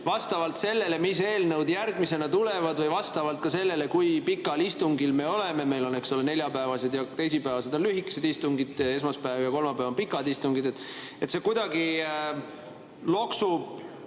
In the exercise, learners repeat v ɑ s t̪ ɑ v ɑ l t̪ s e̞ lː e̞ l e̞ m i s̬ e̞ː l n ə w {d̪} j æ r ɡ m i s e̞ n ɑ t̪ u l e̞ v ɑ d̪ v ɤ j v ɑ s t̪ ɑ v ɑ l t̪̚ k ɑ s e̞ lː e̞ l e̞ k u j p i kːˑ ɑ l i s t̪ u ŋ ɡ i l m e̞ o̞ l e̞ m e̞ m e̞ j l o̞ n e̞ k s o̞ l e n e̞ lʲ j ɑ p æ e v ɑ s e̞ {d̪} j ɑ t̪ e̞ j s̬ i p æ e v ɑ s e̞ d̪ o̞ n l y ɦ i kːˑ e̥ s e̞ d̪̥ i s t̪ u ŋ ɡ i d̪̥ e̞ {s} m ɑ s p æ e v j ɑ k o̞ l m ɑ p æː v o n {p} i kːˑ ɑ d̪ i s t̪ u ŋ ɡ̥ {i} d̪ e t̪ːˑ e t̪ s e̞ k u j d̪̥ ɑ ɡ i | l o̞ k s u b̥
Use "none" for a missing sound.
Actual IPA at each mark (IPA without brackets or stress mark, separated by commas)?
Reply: d̪, d̪, s, p, i